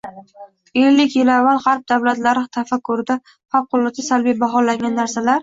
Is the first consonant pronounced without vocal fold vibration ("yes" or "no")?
no